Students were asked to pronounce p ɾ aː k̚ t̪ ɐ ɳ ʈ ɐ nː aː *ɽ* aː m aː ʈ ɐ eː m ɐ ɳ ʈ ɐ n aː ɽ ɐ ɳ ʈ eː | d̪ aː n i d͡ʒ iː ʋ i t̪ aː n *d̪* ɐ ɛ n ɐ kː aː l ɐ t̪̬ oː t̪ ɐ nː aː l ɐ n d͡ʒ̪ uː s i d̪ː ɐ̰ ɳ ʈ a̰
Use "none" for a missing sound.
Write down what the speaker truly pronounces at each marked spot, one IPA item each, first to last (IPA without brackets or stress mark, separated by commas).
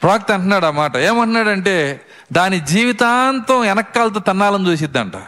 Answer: ɽ, t̪